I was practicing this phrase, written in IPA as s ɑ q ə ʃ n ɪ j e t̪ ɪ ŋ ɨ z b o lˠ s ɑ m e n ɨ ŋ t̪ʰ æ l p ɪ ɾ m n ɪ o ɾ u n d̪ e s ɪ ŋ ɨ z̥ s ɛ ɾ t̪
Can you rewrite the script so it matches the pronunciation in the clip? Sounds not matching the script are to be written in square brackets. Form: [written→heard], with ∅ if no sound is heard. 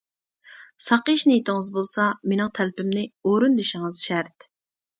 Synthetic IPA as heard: s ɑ q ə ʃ n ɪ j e t̪ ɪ ŋ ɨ z b o lˠ s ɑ m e n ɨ ŋ t̪ʰ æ l p ɪ [ɾ→∅] m n ɪ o ɾ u n d̪ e [s→ʃ] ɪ ŋ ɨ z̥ [s→ʃ] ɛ ɾ t̪

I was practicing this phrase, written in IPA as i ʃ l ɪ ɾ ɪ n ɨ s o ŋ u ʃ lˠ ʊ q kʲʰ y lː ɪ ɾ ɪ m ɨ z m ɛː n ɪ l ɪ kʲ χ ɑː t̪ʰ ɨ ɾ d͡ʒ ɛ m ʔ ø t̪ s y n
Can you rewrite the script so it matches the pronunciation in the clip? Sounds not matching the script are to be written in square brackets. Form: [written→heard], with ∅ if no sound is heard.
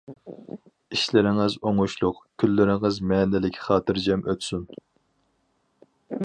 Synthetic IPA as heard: i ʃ l ɪ ɾ ɪ [n→ŋ] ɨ [s→z] o ŋ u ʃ lˠ ʊ q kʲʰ y lː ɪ ɾ ɪ [m→ŋ] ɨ z m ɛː n ɪ l ɪ kʲ χ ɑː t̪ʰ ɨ ɾ d͡ʒ ɛ m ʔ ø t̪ s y n

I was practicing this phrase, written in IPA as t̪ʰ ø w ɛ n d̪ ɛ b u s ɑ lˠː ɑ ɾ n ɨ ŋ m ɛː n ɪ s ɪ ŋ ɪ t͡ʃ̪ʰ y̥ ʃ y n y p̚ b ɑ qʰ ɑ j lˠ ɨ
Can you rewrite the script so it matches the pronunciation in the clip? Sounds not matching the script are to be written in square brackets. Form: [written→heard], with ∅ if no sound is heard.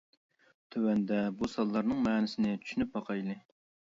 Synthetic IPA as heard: t̪ʰ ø w ɛ n d̪ ɛ b u s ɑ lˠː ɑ ɾ n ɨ ŋ m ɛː n ɪ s ɪ [ŋ→n] ɪ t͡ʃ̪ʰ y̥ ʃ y n y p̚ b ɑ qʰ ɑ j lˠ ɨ

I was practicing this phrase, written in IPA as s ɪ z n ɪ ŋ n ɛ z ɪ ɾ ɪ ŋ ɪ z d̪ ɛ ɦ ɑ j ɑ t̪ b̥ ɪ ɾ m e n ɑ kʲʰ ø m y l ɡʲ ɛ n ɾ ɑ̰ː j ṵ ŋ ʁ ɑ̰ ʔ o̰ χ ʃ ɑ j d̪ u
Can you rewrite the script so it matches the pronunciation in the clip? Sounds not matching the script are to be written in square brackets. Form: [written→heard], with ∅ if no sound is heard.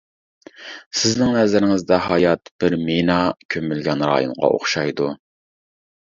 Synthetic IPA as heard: s ɪ z n ɪ ŋ n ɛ z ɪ ɾ ɪ ŋ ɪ z d̪ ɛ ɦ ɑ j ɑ t̪ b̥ ɪ ɾ m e n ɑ kʲʰ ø m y l ɡʲ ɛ n ɾ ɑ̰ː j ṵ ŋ ʁ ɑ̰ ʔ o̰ χ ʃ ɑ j d̪ u

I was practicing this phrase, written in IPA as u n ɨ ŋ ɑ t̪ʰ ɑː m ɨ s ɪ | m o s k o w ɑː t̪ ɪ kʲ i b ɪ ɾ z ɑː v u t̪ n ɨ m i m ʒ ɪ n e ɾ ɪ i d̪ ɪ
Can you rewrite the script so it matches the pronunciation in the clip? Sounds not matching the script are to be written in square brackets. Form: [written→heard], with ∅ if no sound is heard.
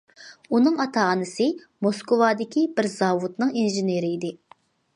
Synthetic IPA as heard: u n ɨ ŋ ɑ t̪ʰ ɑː [m→n] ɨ s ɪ | m o s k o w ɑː [t̪→d̪] ɪ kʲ i b ɪ ɾ z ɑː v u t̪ n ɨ [m→ŋ] i [m→n] ʒ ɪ n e ɾ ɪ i d̪ ɪ

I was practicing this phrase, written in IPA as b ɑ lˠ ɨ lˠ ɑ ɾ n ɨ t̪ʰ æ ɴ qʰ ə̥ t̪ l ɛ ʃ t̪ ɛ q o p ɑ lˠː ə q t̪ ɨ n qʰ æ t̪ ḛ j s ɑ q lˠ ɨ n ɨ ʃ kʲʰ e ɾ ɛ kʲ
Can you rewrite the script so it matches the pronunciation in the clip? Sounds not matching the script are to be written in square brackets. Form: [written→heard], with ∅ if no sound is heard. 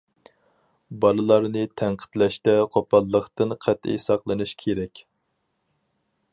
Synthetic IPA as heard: b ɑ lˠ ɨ lˠ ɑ ɾ n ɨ t̪ʰ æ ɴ qʰ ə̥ t̪ l ɛ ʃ t̪ ɛ [q→qʰ] o p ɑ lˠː ə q t̪ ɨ n qʰ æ t̪ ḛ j s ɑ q lˠ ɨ n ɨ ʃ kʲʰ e ɾ ɛ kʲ

